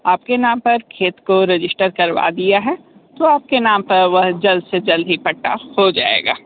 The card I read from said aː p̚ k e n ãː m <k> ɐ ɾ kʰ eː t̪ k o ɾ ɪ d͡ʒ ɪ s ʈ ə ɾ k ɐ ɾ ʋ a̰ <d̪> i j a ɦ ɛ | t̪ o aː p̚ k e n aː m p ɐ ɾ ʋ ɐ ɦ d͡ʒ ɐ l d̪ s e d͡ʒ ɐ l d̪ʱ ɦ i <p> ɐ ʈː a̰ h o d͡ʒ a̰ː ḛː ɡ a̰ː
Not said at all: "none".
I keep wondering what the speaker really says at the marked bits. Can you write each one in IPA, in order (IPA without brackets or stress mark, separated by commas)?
p, d̪, p